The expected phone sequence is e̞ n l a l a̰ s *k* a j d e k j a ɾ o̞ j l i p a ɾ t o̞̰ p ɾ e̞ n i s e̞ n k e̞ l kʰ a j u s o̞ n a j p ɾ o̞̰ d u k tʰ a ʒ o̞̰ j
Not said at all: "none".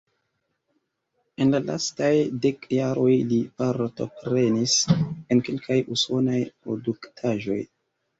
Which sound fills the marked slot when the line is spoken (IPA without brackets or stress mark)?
t